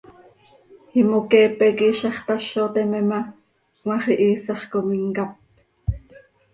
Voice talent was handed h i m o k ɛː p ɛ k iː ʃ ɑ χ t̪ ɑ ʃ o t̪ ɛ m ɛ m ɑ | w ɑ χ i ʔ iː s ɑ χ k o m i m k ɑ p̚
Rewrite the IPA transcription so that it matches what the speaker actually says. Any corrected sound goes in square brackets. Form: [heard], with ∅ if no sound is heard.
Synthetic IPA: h i m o k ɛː p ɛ k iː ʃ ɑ χ t̪ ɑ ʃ o t̪ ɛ m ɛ m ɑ | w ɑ χ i ʔ iː s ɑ χ k o m i [ŋ] k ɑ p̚